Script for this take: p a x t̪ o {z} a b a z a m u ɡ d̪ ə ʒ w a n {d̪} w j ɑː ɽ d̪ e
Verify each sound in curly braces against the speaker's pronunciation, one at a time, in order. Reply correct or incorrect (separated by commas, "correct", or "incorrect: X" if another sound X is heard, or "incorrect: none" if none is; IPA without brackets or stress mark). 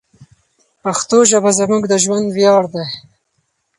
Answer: incorrect: ʒ, correct